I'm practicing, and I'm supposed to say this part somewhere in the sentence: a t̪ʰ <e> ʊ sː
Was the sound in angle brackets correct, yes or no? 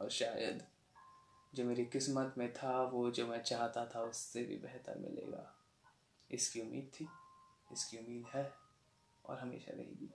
no